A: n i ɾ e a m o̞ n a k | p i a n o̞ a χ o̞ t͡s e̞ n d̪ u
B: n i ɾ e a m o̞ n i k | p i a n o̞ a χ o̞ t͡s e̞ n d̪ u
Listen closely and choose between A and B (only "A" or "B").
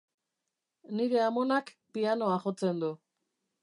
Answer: A